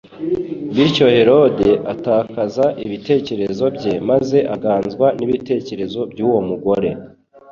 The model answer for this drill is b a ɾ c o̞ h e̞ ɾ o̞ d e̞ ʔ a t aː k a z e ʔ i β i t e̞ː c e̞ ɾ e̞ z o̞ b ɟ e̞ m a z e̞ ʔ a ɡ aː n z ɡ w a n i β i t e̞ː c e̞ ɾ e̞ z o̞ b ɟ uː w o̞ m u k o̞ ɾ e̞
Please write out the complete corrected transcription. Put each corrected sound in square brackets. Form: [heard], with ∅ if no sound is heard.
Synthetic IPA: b [i] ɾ c o̞ h e̞ ɾ o̞ d e̞ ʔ a t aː k a z [a] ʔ i β i t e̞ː c e̞ ɾ e̞ z o̞ b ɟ e̞ m a z e̞ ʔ a ɡ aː n z ɡ w a n i β i t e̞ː c e̞ ɾ e̞ z o̞ b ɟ uː w o̞ m u [ɡ] o̞ ɾ e̞